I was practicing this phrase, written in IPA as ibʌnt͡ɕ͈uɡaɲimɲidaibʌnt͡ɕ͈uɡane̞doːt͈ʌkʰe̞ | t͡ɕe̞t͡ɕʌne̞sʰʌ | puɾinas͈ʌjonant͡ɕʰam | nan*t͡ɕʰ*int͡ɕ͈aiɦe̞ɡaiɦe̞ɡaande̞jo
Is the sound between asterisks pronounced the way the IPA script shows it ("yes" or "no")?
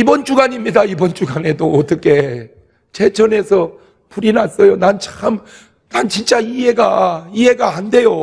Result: no